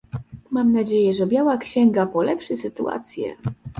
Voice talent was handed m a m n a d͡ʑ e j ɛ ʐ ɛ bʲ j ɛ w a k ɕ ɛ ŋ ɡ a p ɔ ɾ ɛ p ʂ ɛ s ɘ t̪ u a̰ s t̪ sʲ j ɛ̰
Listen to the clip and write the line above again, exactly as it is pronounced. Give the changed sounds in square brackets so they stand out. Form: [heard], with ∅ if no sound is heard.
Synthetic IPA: m a m n a d͡ʑ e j ɛ ʐ ɛ bʲ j [a] w a k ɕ ɛ ŋ ɡ a p ɔ [l] ɛ p ʂ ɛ s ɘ t̪ u a̰ [∅] t̪ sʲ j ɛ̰